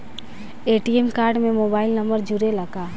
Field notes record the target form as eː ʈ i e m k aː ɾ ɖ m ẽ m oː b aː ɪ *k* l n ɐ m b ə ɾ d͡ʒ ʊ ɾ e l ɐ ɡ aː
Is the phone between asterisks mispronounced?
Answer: yes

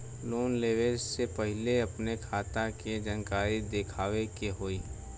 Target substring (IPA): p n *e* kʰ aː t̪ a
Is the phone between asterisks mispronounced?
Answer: no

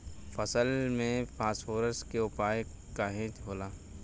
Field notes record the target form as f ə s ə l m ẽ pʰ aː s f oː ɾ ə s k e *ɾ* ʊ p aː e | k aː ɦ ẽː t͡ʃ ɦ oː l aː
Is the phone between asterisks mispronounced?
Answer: yes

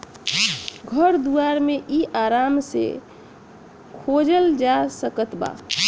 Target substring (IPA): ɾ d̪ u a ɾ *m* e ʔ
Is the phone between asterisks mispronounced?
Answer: no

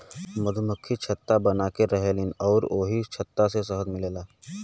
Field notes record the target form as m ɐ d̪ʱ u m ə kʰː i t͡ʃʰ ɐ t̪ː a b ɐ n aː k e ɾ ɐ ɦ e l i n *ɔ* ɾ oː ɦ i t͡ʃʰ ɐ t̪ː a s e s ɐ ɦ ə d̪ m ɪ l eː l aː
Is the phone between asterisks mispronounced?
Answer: yes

